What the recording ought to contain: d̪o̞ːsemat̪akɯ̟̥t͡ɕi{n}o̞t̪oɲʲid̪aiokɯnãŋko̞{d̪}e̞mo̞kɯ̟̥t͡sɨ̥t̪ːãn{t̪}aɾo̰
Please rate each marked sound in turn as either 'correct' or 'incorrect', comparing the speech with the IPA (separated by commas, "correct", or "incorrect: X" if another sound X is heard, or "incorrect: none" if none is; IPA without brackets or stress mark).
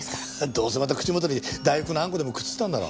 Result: incorrect: m, correct, incorrect: d̪